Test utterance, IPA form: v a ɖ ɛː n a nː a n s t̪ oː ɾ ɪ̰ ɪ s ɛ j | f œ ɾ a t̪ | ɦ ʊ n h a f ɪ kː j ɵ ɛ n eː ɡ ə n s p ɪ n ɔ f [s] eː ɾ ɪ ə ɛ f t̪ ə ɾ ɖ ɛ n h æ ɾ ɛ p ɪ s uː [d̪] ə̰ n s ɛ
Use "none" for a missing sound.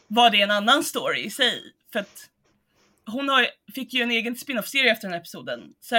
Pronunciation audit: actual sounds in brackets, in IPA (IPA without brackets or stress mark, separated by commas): s, d̪